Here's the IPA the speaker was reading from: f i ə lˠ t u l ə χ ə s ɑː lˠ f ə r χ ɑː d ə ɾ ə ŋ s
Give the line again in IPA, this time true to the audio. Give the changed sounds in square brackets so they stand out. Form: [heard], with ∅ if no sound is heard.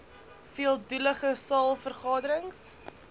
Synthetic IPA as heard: f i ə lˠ [d] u l ə χ ə s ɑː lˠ f ə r χ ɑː d ə ɾ ə ŋ s